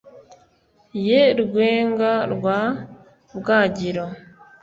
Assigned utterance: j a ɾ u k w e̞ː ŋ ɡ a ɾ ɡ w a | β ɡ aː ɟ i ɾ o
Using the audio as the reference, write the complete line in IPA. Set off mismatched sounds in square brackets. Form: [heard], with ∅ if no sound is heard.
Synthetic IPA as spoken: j [e] ɾ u [ɡ] w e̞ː ŋ ɡ a ɾ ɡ w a | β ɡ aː ɟ i ɾ o